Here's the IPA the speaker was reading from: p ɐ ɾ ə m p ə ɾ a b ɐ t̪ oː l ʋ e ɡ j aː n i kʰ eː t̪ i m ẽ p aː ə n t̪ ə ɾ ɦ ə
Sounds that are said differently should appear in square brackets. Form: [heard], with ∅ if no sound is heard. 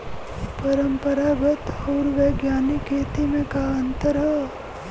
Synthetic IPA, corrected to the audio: p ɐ ɾ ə m p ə ɾ a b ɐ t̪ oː [ɾ] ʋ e ɡ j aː n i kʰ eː t̪ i m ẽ [k] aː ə n t̪ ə ɾ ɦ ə